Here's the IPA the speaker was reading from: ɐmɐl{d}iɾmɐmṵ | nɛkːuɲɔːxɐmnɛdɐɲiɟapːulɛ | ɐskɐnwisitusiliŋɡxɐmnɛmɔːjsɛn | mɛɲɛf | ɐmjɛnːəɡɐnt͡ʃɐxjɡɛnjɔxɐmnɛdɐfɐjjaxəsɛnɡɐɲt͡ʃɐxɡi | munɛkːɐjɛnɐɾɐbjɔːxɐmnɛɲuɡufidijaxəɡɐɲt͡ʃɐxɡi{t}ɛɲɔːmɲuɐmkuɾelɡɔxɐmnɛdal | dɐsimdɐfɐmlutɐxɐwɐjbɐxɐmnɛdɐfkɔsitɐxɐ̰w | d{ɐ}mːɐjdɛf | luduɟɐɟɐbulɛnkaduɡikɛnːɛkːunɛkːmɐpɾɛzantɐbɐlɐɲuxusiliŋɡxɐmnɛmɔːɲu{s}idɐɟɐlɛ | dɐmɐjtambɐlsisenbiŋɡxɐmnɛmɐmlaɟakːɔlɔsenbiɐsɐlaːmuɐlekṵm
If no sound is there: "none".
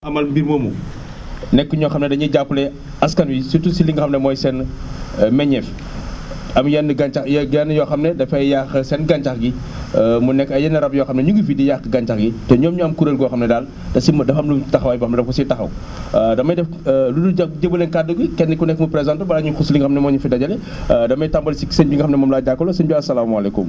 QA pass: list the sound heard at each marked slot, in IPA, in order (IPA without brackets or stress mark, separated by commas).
b, t, ɐ, f